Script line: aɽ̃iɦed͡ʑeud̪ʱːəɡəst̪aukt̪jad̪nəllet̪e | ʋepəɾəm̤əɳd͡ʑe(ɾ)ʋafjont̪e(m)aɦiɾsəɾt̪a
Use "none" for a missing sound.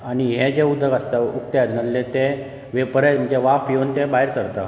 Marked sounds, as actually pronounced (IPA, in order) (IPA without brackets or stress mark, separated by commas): none, b